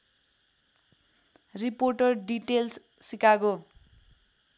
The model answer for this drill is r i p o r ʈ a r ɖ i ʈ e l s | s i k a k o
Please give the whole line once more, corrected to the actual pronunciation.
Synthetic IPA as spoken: r i p o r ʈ ʌ r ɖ i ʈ e l s | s i k a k o